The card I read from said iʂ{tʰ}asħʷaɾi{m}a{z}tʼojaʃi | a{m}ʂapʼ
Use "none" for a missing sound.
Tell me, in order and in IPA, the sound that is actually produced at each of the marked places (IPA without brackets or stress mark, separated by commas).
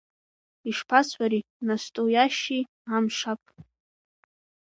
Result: pʰ, n, s, m